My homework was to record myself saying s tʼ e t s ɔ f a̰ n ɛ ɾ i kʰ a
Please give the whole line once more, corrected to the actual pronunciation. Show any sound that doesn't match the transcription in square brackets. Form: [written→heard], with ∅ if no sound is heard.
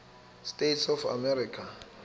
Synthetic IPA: s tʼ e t s ɔ f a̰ [n→m] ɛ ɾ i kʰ a